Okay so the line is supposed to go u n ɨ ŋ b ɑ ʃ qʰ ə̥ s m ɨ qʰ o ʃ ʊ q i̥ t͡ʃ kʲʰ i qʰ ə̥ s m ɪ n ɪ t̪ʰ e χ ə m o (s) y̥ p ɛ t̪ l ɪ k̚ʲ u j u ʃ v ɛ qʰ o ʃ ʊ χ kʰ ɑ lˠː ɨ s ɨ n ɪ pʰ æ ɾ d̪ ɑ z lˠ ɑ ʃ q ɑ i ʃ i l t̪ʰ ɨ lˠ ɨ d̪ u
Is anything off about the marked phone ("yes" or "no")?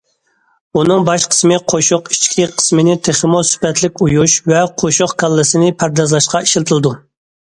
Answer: no